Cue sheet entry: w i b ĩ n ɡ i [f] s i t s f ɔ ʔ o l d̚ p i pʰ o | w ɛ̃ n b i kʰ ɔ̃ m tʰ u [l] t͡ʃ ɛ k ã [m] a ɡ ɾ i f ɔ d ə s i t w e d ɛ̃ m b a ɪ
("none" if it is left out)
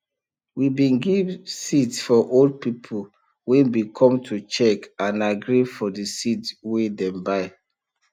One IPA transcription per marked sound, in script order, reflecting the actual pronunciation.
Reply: v, none, n

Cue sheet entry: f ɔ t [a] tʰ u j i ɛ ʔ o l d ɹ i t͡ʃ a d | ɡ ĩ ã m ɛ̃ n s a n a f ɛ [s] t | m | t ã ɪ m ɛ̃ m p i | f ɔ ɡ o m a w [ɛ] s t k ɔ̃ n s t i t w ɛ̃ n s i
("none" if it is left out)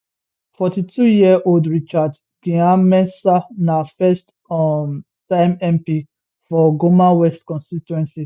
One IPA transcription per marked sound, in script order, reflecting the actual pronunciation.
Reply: i, s, ɛ

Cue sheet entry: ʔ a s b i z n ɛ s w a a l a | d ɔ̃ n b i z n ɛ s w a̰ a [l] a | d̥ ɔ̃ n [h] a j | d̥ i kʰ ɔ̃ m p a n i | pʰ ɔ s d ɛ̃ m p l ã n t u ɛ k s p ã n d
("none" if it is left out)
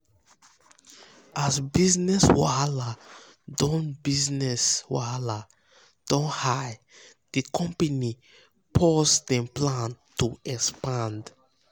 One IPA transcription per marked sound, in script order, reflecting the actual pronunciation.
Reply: l, h

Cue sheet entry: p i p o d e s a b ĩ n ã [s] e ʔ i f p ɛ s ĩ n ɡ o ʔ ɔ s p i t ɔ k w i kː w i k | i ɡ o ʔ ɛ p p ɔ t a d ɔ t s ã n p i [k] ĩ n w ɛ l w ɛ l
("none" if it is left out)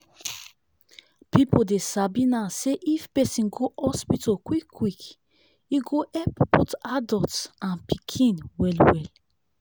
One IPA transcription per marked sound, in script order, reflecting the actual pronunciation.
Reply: s, kʰ

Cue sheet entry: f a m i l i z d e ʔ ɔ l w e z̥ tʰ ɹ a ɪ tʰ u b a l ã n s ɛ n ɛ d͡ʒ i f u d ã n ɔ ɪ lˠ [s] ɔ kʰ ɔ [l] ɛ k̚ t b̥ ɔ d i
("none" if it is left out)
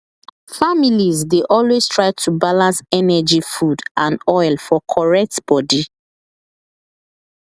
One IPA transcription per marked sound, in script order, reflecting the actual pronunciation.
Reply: f, ɹ

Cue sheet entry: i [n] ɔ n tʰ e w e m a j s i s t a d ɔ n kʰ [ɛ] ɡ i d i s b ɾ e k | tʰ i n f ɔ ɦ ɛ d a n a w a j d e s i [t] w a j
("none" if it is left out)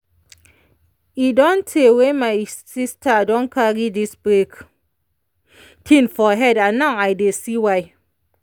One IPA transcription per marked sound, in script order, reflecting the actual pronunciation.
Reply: d, a, none

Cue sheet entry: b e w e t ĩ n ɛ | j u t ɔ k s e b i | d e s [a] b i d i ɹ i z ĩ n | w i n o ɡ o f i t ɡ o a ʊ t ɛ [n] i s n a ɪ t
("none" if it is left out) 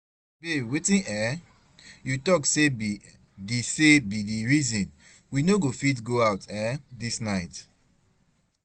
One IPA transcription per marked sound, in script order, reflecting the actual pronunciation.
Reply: e, d

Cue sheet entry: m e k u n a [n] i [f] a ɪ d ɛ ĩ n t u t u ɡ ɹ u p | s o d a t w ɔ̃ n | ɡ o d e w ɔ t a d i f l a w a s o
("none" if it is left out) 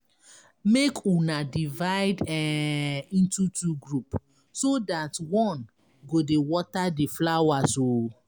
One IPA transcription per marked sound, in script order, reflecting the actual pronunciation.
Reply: d, v

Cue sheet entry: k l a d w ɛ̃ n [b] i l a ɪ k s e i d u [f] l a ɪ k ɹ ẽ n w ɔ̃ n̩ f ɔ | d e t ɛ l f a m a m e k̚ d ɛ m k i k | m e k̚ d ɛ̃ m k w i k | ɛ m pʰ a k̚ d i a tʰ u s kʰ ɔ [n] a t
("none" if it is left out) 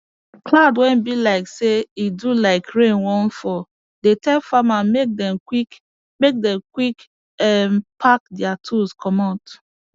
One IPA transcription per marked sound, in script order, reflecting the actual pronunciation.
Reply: b, none, m

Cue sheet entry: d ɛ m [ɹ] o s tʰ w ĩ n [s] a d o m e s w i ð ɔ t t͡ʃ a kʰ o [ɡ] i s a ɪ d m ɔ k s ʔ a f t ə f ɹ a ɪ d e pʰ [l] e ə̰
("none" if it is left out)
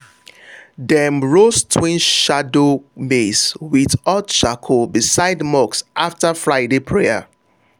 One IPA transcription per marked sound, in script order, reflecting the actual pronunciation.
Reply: ɹ, ʃ, b, ɹ

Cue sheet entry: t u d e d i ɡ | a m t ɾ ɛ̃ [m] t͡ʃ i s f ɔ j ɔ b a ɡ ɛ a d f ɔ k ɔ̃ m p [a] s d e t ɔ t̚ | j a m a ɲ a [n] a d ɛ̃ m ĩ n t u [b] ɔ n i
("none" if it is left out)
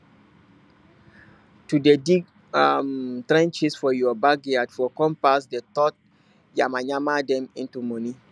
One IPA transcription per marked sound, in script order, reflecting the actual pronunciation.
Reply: n, a, m, m

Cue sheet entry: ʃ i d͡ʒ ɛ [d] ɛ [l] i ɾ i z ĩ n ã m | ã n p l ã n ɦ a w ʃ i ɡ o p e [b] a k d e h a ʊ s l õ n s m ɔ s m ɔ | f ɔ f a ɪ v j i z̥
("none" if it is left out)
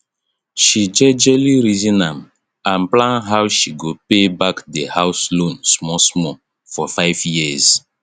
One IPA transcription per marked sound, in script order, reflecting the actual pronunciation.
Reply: d͡ʒ, l, b

